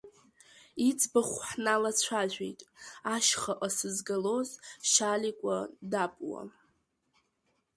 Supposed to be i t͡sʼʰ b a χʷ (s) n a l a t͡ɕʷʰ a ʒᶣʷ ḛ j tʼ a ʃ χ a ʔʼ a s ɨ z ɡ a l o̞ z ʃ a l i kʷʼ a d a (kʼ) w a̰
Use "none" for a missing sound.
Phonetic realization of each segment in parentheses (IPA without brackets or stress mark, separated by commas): ħ, pʼ